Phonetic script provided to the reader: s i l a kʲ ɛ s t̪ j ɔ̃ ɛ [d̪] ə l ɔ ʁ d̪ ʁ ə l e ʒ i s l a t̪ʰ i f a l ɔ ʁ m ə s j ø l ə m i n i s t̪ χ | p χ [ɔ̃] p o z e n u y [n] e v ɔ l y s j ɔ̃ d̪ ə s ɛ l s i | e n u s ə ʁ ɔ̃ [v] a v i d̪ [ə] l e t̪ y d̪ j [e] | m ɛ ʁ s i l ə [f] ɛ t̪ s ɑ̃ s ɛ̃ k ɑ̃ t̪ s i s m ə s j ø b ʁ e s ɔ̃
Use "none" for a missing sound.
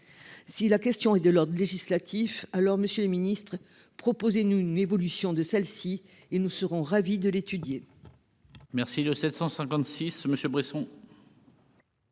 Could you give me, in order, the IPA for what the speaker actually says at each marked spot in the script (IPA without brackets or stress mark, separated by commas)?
d̪, ɔ, n, ʁ, ə, e, s